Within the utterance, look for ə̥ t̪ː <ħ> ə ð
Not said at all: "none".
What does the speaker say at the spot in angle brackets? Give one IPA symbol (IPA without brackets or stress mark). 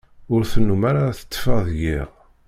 f